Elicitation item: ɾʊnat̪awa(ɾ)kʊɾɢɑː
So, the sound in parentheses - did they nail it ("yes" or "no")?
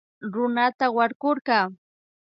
yes